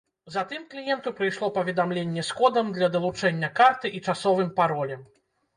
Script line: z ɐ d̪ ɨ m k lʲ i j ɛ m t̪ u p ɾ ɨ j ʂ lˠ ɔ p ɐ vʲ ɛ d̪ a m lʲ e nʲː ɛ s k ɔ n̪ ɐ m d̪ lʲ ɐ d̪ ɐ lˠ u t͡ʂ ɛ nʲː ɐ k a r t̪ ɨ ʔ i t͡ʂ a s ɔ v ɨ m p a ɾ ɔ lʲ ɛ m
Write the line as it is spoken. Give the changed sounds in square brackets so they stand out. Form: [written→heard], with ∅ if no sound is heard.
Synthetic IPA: z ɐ [d̪→t̪] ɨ m k lʲ i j ɛ [m→n] t̪ u p ɾ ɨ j ʂ lˠ ɔ p ɐ vʲ ɛ d̪ a m lʲ e nʲː ɛ s k ɔ [n̪→d̪] ɐ m d̪ lʲ ɐ d̪ ɐ lˠ u t͡ʂ ɛ nʲː ɐ k a r t̪ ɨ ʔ i t͡ʂ a s ɔ v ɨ m p a ɾ ɔ lʲ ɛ m